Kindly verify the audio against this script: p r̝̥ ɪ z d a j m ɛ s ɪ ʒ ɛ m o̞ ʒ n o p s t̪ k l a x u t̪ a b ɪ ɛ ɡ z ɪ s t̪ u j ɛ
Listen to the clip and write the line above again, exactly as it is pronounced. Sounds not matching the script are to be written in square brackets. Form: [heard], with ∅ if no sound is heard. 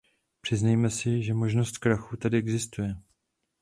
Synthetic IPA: p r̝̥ ɪ z [n] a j m ɛ s ɪ ʒ ɛ m o̞ ʒ n o [∅] s t̪ k [ɾ] a x u t̪ a [d] ɪ ɛ ɡ z ɪ s t̪ u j ɛ